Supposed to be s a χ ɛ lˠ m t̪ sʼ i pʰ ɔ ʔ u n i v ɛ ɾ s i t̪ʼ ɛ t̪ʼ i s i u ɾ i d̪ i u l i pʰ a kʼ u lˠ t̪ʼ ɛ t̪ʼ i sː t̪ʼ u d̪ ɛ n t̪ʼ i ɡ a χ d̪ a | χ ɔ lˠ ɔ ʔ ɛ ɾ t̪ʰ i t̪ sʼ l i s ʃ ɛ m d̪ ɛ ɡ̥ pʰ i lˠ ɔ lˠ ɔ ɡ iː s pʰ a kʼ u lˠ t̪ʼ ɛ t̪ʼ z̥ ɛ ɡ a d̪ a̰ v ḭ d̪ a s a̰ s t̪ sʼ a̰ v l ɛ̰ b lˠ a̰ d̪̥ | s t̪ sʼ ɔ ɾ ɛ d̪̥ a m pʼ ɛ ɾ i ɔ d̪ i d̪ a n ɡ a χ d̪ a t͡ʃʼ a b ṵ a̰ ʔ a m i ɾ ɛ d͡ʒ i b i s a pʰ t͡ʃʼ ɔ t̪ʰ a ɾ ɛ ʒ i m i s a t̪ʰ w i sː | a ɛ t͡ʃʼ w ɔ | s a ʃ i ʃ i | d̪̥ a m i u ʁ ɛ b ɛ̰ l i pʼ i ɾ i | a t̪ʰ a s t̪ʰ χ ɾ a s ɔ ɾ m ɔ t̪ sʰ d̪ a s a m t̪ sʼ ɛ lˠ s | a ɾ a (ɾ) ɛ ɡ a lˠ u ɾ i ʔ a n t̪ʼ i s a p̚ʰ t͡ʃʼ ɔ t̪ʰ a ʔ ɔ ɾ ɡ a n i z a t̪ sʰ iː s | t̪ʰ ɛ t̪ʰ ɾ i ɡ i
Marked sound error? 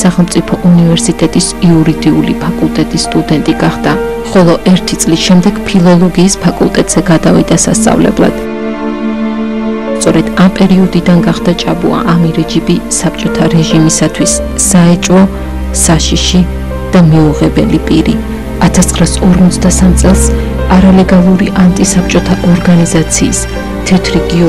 yes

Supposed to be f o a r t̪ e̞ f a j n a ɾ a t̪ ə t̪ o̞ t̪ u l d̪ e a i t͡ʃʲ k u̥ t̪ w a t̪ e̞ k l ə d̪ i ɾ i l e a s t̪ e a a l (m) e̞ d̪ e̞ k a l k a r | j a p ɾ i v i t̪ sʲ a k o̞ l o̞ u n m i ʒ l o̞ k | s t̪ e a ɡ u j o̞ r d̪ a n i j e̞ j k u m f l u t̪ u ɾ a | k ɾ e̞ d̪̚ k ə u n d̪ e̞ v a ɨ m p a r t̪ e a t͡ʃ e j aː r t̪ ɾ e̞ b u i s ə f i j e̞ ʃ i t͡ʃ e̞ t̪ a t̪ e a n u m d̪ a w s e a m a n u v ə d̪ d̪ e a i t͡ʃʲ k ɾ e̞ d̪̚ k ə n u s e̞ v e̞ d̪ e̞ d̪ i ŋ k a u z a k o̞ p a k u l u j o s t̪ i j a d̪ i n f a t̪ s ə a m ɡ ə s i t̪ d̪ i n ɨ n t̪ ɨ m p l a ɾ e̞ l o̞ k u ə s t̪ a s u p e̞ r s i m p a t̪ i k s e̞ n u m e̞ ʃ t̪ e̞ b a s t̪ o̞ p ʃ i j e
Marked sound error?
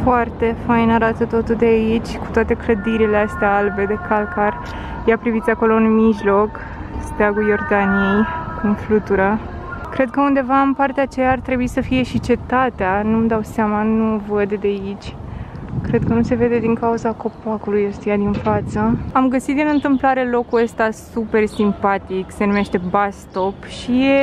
yes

